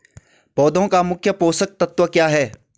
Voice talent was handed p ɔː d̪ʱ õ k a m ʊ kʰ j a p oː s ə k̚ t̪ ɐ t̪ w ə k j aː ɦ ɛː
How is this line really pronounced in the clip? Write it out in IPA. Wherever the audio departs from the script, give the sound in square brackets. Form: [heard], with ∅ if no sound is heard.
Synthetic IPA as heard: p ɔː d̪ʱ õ k a m ʊ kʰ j [ə] p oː s ə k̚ t̪ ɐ t̪ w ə k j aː ɦ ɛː